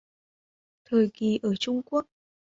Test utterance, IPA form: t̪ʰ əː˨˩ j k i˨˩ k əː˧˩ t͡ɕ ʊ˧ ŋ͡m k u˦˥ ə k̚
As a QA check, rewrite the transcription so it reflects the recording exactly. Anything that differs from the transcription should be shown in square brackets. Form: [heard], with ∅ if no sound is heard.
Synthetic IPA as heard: t̪ʰ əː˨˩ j k i˨˩ [ʔ] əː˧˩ t͡ɕ ʊ˧ ŋ͡m k u˦˥ ə k̚

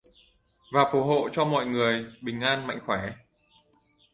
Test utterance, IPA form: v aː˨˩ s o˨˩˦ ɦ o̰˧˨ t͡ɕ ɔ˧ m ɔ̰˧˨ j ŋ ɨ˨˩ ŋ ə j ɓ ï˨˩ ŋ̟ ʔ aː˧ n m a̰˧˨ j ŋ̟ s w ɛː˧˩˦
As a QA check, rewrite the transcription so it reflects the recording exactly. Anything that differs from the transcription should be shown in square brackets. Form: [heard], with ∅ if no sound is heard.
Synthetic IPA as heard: v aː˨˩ [f] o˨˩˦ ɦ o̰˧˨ t͡ɕ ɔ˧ m ɔ̰˧˨ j ŋ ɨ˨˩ [∅] ə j ɓ ï˨˩ ŋ̟ ʔ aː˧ n m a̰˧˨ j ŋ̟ [x] w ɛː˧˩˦

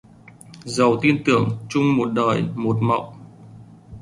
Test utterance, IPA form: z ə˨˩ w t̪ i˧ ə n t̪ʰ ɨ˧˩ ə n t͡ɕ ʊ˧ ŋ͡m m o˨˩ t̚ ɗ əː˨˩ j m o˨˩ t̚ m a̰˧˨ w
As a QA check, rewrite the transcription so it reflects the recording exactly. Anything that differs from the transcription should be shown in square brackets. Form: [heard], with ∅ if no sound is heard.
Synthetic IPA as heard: z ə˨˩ w t̪ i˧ ə n [t̪] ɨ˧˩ ə [ŋ] t͡ɕ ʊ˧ ŋ͡m m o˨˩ t̚ ɗ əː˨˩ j m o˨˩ t̚ m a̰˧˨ w

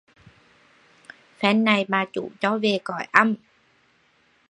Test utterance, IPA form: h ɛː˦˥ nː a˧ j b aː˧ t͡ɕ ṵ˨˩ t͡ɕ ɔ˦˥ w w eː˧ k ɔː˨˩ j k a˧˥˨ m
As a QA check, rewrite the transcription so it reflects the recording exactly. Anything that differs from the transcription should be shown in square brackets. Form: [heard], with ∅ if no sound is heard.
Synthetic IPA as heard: [f] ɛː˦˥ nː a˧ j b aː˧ t͡ɕ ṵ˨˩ t͡ɕ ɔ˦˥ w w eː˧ k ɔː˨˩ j [ʔ] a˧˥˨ m

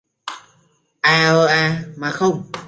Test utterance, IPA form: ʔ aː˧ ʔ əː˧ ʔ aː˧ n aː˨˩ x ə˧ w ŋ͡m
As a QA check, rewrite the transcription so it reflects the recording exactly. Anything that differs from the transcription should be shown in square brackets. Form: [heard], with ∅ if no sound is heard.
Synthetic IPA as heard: ʔ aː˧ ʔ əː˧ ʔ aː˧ [m] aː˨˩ x ə˧ w ŋ͡m

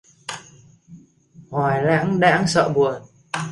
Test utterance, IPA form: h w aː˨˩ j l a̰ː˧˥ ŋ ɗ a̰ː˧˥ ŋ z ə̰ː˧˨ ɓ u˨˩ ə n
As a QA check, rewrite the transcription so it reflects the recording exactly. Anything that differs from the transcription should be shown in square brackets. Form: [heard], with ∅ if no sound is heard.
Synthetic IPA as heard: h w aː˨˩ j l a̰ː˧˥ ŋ ɗ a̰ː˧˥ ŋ [s] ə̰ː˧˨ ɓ u˨˩ ə n

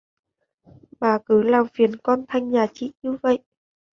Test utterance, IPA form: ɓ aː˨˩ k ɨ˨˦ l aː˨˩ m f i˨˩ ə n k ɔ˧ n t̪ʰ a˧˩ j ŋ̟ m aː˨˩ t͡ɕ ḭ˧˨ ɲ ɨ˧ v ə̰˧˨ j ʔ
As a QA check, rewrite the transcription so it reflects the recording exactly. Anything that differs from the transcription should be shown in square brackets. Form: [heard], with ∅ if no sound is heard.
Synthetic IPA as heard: ɓ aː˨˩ k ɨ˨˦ l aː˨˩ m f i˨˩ ə n k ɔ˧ n t̪ʰ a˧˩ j ŋ̟ [ɲ] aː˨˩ t͡ɕ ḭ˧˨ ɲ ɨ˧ v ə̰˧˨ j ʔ

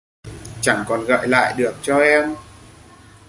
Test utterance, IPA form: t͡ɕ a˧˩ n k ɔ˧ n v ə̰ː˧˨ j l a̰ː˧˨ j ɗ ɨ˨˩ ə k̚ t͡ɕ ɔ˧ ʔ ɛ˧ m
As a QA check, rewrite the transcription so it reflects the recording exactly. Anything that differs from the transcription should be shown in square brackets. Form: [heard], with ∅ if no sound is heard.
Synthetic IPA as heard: t͡ɕ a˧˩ [ŋ] k [ɔ˨˩] n [ɣ] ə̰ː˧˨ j l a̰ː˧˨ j ɗ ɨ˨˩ ə k̚ t͡ɕ ɔ˧ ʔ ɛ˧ m

